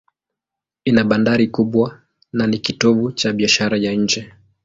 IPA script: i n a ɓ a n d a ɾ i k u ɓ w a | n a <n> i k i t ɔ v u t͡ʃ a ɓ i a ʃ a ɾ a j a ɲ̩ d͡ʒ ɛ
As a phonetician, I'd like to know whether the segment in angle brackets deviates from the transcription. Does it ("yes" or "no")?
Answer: no